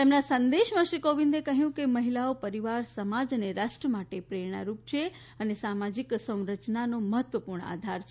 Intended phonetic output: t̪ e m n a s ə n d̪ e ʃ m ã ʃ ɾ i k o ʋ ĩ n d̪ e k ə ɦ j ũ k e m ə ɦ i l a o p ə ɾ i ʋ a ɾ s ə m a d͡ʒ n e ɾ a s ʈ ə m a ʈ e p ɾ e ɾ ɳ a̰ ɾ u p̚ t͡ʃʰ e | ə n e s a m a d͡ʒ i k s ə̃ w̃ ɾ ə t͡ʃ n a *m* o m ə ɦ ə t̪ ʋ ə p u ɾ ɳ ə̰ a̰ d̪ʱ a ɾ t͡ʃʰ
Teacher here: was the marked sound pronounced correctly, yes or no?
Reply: no